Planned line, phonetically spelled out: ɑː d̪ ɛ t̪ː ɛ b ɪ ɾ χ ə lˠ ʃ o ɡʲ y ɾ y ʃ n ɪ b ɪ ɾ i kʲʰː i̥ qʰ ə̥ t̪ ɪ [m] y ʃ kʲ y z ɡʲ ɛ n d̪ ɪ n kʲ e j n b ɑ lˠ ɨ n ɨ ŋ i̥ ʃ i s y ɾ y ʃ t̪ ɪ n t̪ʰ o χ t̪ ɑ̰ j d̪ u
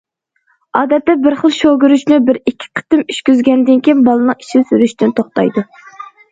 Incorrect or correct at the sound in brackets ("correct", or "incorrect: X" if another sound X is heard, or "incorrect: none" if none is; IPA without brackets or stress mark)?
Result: correct